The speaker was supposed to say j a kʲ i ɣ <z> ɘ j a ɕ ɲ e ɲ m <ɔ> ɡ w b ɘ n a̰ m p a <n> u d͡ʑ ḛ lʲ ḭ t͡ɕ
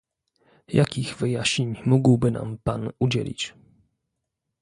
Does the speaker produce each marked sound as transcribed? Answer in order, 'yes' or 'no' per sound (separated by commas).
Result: no, no, yes